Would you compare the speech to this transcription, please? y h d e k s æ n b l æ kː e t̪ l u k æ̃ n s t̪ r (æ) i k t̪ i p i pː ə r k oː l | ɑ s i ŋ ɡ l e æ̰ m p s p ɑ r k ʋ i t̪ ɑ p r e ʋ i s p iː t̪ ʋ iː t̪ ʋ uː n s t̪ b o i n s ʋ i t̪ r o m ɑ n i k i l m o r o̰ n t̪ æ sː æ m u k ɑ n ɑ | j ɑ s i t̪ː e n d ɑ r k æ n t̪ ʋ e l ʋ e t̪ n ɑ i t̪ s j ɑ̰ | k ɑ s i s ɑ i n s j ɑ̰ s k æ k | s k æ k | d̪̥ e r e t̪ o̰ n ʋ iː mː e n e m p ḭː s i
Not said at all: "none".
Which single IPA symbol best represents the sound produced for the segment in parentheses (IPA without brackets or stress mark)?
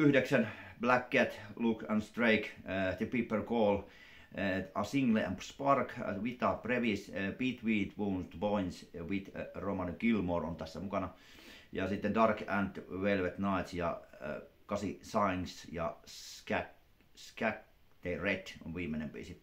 e